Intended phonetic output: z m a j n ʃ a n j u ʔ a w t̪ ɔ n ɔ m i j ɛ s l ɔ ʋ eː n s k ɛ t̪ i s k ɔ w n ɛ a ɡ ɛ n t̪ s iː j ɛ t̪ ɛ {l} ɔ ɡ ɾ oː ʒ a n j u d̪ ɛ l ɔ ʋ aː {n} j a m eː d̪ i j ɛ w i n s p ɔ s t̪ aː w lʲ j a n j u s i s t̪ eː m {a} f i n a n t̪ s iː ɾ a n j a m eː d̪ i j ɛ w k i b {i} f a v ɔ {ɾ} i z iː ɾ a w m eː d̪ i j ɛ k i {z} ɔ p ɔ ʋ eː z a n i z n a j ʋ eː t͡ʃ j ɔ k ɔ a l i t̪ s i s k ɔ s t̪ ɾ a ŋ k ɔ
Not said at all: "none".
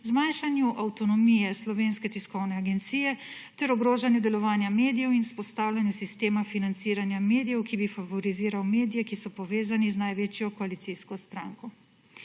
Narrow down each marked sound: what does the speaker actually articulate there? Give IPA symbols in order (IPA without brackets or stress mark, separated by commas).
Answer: ɾ, n, a, i, ɾ, s